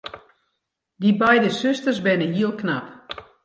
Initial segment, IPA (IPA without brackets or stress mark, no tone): d